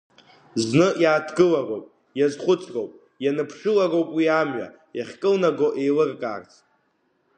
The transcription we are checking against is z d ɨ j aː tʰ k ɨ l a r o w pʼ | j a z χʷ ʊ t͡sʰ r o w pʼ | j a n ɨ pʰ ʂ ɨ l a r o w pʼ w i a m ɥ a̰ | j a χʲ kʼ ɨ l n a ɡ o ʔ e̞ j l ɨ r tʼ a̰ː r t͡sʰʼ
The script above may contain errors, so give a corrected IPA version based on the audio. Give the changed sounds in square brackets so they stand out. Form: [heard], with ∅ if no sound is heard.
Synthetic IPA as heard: z [n] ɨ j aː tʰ [ɡ] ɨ l a r o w pʼ | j a z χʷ ʊ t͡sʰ r o w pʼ | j a n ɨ pʰ ʂ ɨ l a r o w pʼ w i a m ɥ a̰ | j a χʲ kʼ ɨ l n a ɡ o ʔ e̞ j l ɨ r [kʼ] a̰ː r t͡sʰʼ